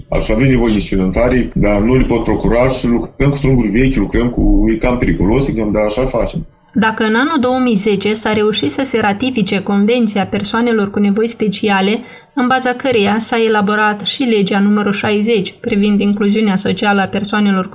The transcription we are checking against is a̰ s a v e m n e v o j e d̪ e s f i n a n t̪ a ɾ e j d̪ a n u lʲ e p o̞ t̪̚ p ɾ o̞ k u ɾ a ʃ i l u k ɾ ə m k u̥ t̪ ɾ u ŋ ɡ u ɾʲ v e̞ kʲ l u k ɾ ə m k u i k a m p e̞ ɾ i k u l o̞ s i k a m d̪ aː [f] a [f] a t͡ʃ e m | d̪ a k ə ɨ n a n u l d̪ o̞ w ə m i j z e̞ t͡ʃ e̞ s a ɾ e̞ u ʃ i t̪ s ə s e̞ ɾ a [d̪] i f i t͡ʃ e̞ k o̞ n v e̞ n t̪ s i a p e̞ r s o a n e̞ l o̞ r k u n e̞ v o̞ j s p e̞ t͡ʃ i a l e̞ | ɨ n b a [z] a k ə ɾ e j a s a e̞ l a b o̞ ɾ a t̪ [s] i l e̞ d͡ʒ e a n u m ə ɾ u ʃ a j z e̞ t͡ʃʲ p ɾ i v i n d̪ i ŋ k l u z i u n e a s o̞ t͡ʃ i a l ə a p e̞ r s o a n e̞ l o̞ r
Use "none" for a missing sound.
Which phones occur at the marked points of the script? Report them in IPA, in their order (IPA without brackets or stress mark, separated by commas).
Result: ʃ, f, t̪, z, ʃ